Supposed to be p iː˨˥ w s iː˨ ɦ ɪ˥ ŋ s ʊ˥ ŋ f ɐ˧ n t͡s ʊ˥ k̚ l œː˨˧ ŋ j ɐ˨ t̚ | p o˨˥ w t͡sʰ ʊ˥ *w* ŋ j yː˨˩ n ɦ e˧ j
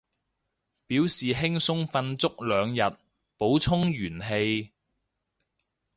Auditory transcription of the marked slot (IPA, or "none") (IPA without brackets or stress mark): none